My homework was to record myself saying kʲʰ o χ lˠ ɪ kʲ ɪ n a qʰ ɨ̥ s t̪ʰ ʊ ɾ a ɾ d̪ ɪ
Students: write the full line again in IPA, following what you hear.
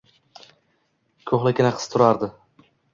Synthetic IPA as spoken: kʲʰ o χ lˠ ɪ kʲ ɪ n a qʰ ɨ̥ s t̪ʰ ʊ ɾ a ɾ d̪ ɪ